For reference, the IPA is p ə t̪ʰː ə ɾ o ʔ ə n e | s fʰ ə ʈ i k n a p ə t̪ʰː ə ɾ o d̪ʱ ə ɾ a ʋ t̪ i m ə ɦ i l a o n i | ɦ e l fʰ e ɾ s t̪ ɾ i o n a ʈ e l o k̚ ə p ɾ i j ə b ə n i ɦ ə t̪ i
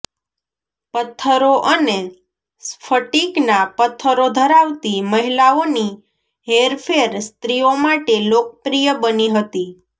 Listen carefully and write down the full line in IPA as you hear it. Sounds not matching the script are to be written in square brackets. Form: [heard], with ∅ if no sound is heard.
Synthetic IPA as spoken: p ə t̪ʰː ə ɾ o ʔ ə n e | s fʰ ə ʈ i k n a p ə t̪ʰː ə ɾ o d̪ʱ ə ɾ a ʋ t̪ i m ə ɦ i l a o n i | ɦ e [ɾ] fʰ e ɾ s t̪ ɾ i o [m] a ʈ e l o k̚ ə p ɾ i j ə b ə n i ɦ ə t̪ i